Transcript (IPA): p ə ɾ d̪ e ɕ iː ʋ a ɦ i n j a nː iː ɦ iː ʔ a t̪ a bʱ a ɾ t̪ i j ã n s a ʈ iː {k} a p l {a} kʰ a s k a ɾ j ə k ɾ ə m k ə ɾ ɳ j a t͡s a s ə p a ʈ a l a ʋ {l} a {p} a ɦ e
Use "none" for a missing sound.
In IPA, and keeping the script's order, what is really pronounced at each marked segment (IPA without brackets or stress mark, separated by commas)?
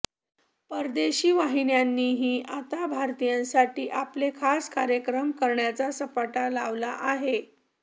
ʔ, e, l, ʔ